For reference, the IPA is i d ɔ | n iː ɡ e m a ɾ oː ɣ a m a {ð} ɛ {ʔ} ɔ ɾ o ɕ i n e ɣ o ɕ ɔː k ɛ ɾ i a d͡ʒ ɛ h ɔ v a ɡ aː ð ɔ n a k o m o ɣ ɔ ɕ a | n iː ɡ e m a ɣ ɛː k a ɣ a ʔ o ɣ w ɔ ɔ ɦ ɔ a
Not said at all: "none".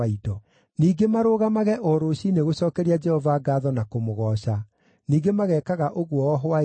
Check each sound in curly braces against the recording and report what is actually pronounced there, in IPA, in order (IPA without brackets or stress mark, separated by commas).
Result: ɣ, ʔ